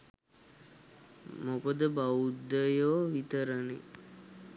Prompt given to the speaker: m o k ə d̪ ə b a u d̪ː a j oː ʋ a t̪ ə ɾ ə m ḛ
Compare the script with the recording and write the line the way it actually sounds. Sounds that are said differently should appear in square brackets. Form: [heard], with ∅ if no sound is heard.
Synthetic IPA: m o k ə d̪ ə b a u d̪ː [ə] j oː ʋ [i] t̪ ə ɾ ə [n] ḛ